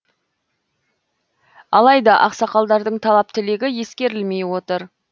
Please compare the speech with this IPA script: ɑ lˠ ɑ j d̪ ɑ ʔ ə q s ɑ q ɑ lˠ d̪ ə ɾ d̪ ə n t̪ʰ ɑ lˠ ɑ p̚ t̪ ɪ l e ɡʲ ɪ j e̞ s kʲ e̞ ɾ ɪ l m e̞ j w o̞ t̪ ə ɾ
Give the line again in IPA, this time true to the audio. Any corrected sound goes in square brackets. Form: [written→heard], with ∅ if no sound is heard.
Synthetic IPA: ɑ lˠ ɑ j d̪ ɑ ʔ [ə→ɑ] q s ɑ q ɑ lˠ d̪ [ə→ɑ] ɾ d̪ ə [n→ɴ] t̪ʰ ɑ lˠ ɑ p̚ t̪ ɪ l e ɡʲ ɪ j e̞ s kʲ e̞ ɾ ɪ l m e̞ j w o̞ t̪ ə ɾ